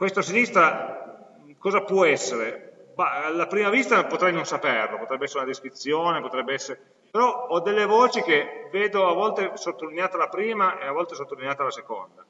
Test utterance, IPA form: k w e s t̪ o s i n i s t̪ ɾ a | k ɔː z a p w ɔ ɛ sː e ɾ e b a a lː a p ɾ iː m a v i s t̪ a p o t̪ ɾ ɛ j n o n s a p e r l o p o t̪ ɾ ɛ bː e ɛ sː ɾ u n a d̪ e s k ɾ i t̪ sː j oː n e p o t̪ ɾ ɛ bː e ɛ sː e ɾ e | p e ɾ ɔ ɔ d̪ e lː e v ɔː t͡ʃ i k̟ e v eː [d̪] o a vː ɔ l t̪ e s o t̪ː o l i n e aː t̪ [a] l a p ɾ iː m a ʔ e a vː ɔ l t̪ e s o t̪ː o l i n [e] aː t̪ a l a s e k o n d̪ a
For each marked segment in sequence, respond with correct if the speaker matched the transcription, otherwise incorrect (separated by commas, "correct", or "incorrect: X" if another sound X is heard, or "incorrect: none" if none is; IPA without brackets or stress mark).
correct, correct, correct